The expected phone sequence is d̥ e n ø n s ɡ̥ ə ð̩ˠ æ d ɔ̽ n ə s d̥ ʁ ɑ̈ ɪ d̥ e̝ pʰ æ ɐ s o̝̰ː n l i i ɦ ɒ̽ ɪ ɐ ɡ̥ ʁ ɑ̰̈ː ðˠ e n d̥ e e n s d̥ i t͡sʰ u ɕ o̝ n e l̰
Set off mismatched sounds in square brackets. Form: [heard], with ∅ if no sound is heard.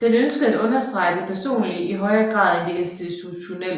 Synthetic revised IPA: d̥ e n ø n s ɡ̥ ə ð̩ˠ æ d ɔ̽ n [ɐ] s d̥ ʁ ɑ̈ ɪ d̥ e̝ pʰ æ ɐ s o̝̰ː n l i i ɦ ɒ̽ ɪ ɐ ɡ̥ ʁ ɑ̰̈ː ðˠ e n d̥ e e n s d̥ i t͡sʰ u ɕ o̝ n e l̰